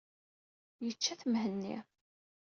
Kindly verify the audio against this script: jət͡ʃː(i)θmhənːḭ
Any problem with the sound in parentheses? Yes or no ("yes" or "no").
yes